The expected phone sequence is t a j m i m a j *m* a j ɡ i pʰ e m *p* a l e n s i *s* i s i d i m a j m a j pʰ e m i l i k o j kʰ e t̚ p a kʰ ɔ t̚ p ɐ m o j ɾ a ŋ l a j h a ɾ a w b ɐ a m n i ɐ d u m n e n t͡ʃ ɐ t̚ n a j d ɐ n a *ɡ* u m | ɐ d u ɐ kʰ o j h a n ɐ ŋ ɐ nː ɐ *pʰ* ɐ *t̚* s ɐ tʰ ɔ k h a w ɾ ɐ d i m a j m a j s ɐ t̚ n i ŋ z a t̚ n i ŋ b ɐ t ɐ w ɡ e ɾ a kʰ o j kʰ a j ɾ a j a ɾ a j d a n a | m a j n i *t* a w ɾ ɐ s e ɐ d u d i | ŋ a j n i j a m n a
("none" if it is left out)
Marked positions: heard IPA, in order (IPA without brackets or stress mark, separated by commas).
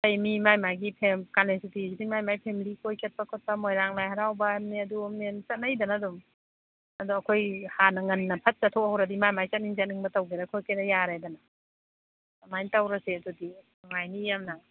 m, k, t, d, pʰ, t̚, t